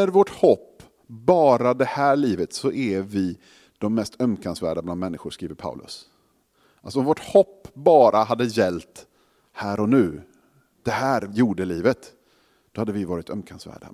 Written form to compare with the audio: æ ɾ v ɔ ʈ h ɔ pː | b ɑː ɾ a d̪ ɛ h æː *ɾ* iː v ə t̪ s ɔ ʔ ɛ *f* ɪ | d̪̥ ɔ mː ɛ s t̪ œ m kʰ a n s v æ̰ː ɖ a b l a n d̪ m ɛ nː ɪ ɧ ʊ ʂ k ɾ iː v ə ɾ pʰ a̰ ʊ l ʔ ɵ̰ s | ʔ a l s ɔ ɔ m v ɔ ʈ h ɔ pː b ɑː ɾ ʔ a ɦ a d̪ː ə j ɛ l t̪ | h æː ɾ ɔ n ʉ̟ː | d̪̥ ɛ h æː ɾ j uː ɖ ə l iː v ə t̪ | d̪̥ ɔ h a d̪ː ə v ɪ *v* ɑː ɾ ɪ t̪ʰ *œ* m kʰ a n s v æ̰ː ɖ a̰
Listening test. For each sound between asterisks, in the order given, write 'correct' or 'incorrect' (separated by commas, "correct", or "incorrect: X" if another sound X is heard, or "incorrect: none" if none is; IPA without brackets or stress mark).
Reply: incorrect: ɭ, incorrect: v, correct, correct